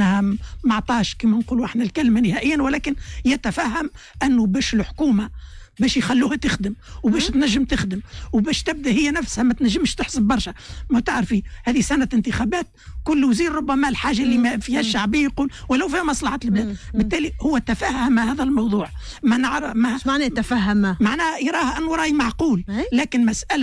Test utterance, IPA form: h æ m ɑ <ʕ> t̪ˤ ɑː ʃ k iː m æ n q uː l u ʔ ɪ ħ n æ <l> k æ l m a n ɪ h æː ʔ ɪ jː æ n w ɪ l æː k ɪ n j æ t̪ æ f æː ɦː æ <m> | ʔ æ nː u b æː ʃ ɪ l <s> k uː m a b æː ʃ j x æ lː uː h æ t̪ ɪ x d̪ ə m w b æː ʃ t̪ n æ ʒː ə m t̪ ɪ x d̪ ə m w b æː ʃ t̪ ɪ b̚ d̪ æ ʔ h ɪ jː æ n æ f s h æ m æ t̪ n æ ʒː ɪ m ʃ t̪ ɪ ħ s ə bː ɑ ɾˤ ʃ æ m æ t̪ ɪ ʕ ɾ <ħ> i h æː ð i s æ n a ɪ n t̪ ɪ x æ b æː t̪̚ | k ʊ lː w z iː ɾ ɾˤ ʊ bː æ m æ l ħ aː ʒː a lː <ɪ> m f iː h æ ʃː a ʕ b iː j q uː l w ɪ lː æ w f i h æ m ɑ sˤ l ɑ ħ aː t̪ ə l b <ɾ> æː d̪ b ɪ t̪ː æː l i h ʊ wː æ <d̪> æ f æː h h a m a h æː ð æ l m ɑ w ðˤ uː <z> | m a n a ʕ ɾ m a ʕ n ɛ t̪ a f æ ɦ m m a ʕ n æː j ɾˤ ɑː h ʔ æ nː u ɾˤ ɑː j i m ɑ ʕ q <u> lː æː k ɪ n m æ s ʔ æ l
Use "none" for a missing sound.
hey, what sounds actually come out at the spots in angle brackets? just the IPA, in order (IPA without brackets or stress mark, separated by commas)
ʕ, l, m, ħ, f, i, l, t̪, ʕ, uː